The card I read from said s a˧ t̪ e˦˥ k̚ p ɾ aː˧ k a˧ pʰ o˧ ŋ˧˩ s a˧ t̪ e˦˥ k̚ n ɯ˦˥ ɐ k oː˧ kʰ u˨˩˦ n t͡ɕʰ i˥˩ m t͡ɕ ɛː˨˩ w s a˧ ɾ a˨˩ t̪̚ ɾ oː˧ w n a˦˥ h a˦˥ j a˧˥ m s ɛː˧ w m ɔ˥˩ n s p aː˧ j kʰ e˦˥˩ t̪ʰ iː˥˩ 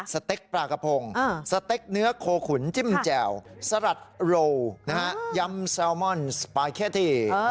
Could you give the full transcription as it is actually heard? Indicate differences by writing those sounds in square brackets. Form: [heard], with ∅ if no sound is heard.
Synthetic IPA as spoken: s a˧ t̪ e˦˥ k̚ p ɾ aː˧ k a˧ pʰ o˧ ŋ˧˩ s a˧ t̪ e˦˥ k̚ n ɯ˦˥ ɐ [kʰ] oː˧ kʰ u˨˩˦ n [t͡ɕ] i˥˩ m t͡ɕ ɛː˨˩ w s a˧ ɾ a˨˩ t̪̚ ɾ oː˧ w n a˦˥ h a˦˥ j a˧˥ m s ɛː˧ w m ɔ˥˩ n s p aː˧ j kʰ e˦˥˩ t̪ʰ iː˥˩